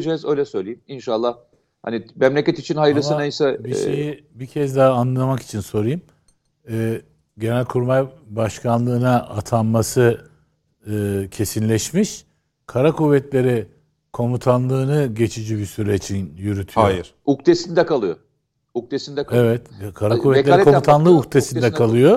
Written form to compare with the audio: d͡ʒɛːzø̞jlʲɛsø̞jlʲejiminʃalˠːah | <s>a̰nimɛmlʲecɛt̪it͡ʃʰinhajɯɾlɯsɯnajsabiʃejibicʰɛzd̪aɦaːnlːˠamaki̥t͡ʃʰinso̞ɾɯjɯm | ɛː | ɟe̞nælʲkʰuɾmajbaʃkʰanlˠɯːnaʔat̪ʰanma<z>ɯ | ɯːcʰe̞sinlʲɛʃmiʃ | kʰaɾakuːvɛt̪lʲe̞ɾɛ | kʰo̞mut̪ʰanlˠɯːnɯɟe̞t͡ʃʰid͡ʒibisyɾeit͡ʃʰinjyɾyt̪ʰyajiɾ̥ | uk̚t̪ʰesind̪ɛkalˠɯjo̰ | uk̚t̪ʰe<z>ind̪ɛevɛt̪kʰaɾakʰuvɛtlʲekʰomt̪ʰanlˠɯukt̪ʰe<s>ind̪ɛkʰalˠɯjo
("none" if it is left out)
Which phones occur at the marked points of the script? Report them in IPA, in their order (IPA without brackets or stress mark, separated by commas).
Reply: h, s, s, s